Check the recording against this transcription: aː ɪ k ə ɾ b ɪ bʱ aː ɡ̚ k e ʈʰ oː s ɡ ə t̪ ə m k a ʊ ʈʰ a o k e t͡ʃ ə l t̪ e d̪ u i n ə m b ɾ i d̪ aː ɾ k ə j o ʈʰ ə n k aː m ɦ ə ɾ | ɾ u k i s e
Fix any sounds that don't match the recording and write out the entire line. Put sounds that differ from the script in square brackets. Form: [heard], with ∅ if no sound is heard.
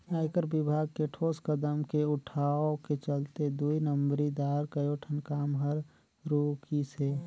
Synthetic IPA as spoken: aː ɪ k ə ɾ b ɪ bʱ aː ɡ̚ k e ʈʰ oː s [k] ə [d̪] ə m k [e] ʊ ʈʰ a o k e t͡ʃ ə l t̪ e d̪ u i n ə m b ɾ i d̪ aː ɾ k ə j o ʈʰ ə n k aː m ɦ ə ɾ | ɾ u k i s e